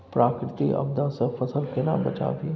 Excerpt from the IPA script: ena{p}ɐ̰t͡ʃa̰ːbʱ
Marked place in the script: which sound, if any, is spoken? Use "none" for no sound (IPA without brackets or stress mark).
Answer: b